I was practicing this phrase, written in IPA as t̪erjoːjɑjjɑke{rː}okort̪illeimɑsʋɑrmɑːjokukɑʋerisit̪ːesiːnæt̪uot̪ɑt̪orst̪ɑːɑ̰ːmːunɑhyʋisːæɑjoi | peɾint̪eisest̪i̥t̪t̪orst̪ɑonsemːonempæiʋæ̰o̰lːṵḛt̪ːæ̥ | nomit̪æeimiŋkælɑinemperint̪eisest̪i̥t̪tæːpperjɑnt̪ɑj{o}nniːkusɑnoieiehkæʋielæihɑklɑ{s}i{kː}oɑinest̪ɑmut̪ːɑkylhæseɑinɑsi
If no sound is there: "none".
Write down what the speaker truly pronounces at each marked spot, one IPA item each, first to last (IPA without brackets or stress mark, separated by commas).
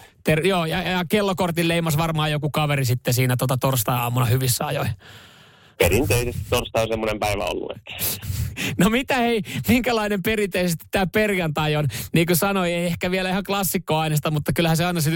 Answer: lː, o, sː, kː